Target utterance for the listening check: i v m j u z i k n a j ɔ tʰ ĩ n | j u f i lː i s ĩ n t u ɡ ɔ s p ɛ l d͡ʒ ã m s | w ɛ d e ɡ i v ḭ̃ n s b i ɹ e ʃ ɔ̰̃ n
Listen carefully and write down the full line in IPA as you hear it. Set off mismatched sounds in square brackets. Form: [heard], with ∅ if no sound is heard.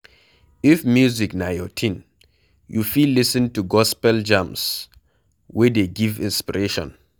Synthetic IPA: i [f] m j u z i k n a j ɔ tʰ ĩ n | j u f i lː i s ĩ n t u ɡ ɔ s p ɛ l d͡ʒ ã m s | w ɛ d e ɡ i v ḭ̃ n s [p] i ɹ e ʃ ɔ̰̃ n